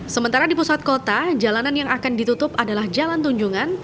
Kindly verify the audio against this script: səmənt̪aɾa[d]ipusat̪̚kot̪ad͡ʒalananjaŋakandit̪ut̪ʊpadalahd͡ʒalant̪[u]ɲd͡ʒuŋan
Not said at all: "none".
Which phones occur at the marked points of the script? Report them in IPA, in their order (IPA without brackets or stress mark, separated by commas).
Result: d, u